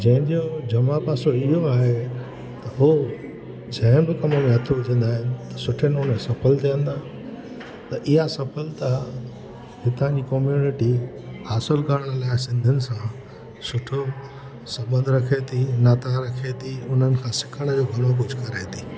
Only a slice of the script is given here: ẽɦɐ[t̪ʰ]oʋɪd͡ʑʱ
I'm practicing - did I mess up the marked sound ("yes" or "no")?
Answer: no